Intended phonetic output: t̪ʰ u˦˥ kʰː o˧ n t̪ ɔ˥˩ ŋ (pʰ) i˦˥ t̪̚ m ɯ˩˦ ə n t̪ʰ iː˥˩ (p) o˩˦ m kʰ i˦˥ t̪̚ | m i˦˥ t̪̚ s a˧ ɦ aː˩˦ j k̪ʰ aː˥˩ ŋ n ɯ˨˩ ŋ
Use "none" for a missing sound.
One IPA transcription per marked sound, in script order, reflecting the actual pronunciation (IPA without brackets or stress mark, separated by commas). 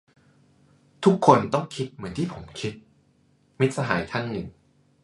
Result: kʰ, pʰ